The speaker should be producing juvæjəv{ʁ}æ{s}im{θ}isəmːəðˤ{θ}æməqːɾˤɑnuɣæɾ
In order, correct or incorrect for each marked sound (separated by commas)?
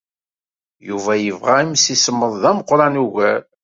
correct, incorrect, incorrect, incorrect